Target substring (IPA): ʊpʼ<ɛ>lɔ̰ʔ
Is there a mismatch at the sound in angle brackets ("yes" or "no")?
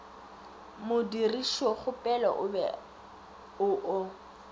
no